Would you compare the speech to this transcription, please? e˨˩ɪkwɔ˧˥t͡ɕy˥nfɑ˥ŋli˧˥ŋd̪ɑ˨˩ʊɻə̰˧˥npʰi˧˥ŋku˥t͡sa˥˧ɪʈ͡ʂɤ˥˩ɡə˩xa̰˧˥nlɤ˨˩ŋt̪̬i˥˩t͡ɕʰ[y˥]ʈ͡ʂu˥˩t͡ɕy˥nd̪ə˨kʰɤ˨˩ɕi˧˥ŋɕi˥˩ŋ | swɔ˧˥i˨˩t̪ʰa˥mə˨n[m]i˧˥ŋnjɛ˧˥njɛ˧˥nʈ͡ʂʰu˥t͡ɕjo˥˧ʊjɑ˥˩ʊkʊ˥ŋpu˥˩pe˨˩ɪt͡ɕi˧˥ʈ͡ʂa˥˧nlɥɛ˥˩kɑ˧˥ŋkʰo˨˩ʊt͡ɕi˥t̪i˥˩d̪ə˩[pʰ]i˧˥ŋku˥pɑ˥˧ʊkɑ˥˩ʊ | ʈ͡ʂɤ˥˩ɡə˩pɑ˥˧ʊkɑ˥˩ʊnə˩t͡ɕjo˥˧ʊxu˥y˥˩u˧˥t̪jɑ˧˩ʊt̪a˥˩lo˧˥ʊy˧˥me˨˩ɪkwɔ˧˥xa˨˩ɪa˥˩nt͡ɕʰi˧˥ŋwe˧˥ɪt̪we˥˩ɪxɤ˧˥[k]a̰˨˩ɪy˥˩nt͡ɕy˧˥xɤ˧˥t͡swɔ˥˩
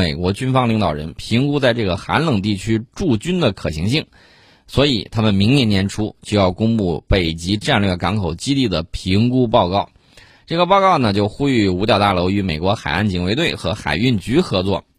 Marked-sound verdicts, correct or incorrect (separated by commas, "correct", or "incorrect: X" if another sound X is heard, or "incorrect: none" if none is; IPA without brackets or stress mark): correct, correct, correct, incorrect: x